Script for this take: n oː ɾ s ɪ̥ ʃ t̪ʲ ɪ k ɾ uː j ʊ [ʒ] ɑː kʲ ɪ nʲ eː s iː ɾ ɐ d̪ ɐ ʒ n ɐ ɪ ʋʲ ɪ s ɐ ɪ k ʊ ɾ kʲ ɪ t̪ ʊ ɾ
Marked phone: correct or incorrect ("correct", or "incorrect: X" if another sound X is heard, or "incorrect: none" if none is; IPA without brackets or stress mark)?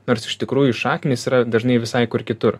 incorrect: ʃ